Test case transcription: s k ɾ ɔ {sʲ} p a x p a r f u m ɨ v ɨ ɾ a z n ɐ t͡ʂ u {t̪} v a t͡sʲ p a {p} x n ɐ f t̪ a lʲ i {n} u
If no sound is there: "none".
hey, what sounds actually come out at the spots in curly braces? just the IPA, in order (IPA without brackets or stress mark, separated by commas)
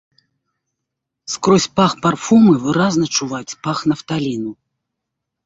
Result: sʲ, none, none, n